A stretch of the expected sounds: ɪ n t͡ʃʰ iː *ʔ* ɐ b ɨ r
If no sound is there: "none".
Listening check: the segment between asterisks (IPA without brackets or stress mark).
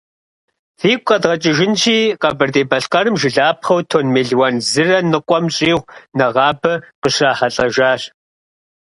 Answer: q